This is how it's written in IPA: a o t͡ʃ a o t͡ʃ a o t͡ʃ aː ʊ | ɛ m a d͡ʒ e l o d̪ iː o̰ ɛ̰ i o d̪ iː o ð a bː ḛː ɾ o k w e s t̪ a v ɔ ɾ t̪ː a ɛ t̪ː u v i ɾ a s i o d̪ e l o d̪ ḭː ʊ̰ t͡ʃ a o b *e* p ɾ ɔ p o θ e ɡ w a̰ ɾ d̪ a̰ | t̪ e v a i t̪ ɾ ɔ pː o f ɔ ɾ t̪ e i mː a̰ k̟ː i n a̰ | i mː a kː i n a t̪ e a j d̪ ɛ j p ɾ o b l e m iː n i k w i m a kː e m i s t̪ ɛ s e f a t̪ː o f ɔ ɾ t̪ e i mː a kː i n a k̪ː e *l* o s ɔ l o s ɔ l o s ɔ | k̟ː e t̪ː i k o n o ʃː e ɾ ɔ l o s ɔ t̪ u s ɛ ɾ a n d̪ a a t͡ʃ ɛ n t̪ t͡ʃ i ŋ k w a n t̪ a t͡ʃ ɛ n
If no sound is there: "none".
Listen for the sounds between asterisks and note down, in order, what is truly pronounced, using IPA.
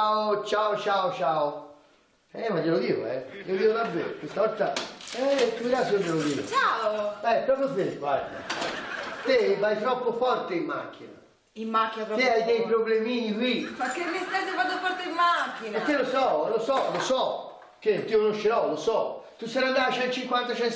ɛ, l

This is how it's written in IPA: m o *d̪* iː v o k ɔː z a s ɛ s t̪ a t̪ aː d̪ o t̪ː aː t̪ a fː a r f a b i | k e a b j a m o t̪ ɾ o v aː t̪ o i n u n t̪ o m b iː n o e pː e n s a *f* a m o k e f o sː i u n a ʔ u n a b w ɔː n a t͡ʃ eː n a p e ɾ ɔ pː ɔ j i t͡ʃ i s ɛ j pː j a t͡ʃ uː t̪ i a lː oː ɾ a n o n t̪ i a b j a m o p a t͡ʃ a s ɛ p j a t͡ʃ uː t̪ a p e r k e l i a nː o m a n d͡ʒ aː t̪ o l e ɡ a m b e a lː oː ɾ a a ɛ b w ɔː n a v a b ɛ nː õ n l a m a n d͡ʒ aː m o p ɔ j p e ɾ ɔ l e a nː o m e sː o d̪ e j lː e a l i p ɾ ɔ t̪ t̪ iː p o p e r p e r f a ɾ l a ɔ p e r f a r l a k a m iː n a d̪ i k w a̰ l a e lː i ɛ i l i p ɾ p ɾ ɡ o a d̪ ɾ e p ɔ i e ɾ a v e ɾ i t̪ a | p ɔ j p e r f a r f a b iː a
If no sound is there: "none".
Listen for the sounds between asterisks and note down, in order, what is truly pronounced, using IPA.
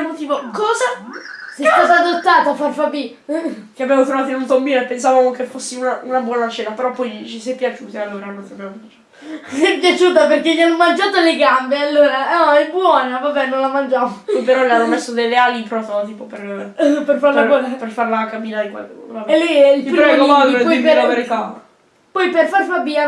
t̪, v

